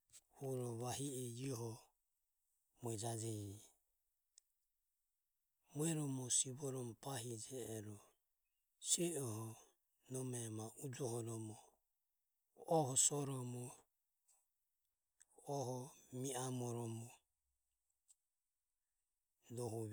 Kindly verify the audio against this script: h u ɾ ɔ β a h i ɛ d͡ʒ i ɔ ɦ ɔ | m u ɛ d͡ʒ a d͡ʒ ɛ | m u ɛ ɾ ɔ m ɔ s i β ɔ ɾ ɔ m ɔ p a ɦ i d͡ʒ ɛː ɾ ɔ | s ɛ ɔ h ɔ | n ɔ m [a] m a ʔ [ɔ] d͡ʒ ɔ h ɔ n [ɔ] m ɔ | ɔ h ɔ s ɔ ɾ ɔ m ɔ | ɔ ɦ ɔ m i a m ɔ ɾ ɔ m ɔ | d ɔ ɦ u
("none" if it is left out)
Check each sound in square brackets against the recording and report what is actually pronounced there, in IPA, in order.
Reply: ɛ, u, ɔ

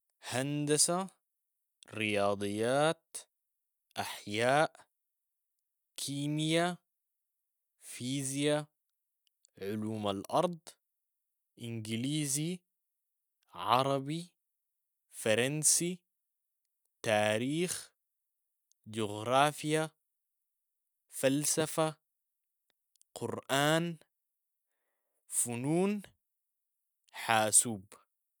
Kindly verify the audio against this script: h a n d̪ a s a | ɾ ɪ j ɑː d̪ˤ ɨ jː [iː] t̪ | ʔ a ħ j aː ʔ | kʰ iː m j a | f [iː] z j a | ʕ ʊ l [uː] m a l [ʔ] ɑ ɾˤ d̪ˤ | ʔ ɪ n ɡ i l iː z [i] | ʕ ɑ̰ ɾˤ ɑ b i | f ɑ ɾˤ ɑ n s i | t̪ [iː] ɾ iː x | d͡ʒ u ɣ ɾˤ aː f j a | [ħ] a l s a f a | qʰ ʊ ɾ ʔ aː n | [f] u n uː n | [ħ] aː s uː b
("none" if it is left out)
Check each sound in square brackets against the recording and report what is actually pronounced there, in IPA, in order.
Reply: aː, iː, uː, ʔ, i, aː, f, f, ħ

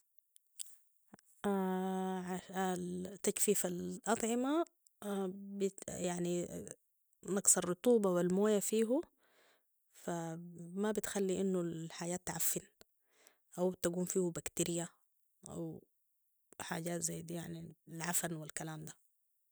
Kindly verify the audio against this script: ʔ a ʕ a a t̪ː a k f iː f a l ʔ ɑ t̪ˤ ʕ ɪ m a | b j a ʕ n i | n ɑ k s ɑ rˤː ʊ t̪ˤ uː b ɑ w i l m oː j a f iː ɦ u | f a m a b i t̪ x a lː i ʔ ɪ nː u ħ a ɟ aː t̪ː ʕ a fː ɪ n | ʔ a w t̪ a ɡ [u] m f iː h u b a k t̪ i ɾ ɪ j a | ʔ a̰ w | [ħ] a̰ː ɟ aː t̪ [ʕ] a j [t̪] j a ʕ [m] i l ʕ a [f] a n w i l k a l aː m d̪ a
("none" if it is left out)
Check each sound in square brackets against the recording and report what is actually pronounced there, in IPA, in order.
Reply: uː, ħ, z, d̪, n, f

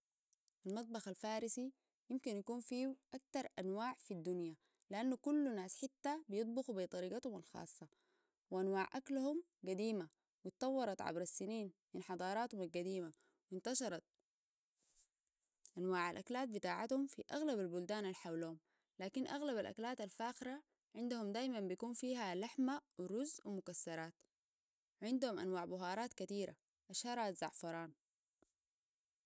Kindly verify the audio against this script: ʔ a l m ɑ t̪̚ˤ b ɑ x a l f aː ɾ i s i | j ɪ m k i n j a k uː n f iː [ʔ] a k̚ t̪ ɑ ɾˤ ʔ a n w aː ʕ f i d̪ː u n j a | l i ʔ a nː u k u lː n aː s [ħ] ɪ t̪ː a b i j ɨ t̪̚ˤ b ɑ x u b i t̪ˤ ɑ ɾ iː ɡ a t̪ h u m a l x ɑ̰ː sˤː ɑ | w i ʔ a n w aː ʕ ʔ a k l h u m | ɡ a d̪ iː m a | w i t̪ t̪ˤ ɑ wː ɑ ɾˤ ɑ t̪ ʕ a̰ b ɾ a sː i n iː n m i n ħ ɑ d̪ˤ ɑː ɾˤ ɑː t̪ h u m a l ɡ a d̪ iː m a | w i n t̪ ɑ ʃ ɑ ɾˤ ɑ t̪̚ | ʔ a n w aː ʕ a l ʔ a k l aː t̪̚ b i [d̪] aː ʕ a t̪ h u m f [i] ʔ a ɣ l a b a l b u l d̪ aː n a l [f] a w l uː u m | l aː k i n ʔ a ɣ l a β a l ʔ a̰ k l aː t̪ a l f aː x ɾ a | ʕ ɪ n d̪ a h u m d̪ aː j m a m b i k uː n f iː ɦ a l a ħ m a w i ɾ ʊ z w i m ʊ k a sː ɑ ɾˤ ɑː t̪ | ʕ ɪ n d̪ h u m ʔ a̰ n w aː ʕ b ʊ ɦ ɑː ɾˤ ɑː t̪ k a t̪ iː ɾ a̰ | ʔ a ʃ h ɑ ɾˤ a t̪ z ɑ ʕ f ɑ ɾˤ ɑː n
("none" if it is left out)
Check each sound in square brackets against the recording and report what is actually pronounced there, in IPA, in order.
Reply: ʔ, ħ, t̪, i, ħ

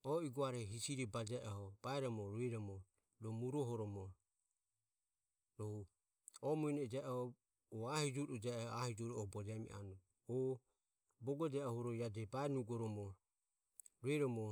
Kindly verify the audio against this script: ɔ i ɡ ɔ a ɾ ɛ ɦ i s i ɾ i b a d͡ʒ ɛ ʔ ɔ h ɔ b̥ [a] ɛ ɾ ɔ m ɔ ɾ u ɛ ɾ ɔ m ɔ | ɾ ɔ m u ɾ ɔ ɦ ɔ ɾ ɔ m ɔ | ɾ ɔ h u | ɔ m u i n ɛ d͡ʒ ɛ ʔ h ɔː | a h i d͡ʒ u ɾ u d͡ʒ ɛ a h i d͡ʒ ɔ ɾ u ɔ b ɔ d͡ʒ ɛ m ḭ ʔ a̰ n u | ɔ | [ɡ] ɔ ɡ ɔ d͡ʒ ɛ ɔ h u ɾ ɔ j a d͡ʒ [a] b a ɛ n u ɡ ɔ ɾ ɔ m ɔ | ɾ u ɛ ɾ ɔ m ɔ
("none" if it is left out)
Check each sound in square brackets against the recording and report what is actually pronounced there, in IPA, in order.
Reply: a, b, ɛ

